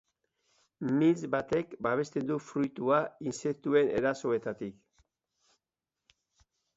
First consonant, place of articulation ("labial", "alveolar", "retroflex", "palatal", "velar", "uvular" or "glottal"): labial